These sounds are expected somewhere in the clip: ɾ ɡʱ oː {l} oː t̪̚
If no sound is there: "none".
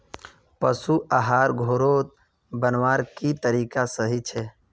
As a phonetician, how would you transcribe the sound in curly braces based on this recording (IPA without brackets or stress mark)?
ɾ